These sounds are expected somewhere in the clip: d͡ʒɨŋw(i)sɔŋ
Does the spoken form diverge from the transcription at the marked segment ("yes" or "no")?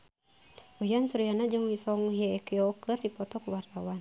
no